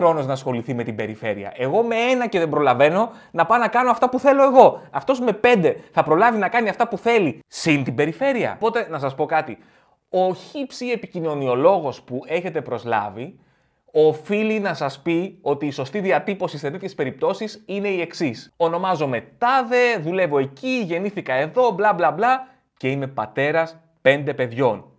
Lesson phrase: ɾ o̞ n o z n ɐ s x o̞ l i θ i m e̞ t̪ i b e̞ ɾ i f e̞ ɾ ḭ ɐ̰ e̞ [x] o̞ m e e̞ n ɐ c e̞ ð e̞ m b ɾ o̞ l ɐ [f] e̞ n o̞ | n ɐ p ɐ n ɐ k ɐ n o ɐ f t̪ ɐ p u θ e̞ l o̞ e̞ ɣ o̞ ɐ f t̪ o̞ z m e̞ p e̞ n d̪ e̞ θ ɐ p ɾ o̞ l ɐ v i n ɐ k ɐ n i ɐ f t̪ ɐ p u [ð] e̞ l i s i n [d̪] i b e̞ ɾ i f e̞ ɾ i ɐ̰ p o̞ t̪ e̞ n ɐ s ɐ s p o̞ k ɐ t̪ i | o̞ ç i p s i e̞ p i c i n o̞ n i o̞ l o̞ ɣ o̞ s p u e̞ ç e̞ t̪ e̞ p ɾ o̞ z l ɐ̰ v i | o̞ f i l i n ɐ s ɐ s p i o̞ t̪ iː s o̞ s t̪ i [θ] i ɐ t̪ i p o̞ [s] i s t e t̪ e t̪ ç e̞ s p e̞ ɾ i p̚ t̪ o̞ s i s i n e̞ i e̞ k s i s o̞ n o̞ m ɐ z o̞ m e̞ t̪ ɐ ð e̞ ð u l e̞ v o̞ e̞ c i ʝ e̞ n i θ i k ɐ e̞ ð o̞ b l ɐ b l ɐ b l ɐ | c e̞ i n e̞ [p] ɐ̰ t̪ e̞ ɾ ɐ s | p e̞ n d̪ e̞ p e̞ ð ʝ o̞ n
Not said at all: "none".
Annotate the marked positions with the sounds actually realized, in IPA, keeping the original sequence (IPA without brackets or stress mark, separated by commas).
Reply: ɣ, v, θ, t̪, ð, s, p